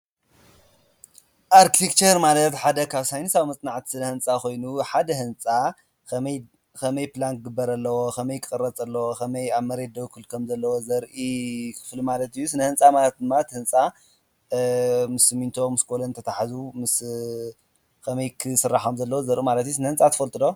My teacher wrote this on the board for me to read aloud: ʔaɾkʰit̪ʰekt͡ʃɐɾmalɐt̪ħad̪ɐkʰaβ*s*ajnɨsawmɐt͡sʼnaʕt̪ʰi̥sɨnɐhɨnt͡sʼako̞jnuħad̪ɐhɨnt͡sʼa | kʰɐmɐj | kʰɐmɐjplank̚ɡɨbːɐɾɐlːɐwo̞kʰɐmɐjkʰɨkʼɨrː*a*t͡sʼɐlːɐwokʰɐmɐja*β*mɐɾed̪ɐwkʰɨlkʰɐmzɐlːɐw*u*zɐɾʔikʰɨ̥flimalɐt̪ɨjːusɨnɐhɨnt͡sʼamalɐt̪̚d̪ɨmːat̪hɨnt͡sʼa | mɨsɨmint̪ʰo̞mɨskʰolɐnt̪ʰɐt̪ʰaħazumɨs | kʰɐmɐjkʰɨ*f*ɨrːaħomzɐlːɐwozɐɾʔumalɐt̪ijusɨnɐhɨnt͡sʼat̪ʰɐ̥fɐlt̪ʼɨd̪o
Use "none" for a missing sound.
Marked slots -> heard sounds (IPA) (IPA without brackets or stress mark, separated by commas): s, ɐ, β, o, s